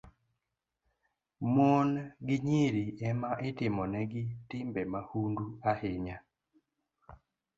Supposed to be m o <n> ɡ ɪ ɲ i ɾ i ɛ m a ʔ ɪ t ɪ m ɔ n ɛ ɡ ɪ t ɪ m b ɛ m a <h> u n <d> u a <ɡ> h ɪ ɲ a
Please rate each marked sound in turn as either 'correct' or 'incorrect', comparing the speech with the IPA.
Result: correct, correct, correct, incorrect: none

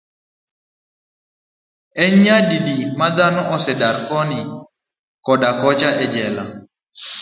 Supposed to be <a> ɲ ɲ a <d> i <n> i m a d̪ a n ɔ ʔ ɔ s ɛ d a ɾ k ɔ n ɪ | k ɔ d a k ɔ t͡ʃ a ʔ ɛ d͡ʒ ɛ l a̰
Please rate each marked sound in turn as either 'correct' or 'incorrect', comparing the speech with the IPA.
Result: incorrect: ɛ, correct, incorrect: d

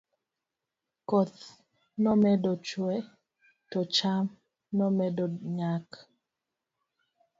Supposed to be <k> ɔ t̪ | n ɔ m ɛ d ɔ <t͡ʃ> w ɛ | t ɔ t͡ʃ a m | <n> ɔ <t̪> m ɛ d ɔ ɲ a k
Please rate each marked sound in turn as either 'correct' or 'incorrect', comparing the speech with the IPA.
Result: correct, correct, correct, incorrect: none

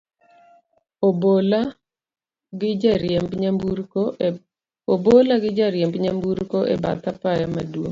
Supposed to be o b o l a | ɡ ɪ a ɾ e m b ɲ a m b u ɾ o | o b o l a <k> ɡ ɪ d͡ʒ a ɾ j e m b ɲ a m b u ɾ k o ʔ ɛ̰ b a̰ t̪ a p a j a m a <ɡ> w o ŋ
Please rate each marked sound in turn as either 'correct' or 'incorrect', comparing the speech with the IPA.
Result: incorrect: none, incorrect: d

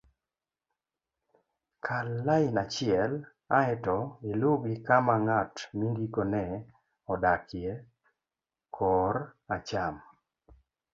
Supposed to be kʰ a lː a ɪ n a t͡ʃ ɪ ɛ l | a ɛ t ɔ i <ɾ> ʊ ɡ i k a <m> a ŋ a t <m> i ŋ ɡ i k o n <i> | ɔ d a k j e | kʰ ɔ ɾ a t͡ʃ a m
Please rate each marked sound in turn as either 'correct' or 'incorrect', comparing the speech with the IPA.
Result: incorrect: l, correct, correct, incorrect: ɛ

